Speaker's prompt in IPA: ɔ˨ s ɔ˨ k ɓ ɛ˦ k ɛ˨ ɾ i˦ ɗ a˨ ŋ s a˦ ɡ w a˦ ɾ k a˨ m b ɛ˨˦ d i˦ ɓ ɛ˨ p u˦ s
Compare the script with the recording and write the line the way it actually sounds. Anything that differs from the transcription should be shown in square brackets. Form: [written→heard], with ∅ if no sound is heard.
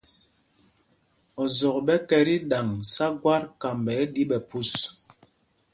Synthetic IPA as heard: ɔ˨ [s→z] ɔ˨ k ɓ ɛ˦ k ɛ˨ ɾ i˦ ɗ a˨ ŋ s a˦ ɡ w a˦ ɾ k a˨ m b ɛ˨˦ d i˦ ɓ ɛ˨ p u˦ s